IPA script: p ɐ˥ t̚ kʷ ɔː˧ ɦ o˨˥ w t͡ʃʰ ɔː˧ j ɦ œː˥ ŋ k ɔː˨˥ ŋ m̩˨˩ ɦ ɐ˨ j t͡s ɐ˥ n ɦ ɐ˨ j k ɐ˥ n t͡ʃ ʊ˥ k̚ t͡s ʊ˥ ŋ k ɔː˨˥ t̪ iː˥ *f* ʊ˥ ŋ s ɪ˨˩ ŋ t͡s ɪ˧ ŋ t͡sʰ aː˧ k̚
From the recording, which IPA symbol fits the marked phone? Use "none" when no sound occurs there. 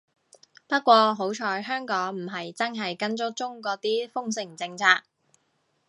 f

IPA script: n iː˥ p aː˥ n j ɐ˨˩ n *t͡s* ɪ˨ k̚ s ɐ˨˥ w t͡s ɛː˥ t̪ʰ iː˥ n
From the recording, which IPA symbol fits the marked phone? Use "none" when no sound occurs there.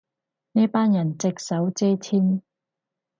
t͡s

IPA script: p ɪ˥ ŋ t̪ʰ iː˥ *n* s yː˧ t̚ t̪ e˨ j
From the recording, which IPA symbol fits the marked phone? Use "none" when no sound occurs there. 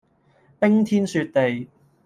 n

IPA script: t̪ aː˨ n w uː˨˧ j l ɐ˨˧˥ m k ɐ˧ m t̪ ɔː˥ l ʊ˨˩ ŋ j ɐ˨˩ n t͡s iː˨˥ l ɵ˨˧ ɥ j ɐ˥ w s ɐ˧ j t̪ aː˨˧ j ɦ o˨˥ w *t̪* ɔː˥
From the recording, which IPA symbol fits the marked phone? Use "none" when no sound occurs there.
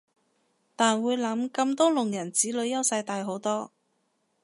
t̪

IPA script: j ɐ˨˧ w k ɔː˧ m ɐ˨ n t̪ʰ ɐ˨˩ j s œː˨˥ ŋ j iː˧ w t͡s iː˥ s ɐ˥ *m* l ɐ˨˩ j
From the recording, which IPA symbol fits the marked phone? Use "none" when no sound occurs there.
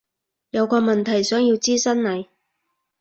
n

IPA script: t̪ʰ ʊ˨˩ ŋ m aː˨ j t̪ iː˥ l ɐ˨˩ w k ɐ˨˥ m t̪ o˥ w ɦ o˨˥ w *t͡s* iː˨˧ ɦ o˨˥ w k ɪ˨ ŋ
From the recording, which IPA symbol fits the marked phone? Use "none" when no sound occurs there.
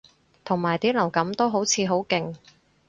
t͡sʰ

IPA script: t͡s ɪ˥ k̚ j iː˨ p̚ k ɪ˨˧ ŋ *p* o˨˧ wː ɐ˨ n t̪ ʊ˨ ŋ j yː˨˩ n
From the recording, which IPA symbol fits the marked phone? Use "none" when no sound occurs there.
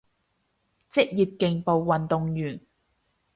p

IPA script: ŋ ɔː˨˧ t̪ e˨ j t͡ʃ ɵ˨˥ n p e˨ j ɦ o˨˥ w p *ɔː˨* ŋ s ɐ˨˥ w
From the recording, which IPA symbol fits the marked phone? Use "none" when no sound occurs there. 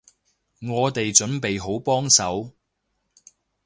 ɔː˥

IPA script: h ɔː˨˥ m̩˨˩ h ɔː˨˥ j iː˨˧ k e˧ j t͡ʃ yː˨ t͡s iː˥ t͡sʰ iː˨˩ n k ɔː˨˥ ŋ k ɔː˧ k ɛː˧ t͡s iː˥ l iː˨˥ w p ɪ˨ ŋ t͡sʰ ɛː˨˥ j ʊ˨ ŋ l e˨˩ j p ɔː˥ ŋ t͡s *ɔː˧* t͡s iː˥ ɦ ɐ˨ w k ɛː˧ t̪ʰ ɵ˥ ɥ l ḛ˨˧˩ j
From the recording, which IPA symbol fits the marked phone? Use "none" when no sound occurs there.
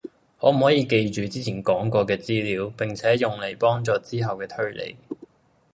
ɔː˧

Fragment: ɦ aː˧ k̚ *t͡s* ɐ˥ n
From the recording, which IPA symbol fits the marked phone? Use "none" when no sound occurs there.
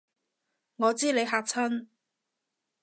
t͡sʰ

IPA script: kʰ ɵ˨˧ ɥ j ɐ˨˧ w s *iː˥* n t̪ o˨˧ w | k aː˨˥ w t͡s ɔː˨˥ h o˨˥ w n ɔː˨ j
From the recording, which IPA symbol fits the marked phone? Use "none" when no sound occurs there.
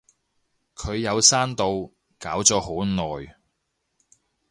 aː˥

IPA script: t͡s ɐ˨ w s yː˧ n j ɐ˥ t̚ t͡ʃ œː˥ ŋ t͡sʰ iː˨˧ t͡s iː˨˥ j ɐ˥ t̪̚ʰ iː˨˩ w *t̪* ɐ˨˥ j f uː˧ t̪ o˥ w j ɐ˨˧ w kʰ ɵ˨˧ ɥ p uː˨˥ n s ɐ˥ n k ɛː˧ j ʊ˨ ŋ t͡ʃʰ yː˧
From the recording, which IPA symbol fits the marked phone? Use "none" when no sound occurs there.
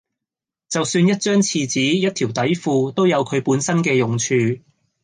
t̪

